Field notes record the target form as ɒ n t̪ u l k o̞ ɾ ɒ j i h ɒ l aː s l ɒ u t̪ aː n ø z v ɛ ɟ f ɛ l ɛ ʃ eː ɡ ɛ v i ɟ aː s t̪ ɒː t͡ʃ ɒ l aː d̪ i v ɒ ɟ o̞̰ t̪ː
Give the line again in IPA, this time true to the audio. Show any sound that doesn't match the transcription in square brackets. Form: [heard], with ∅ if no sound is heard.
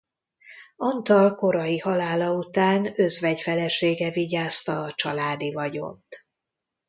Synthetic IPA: ɒ n t̪ [ɒ] l k o̞ ɾ ɒ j i h ɒ l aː [∅] l ɒ u t̪ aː n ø z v ɛ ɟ f ɛ l ɛ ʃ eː ɡ ɛ v i ɟ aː s t̪ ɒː t͡ʃ ɒ l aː d̪ i v ɒ ɟ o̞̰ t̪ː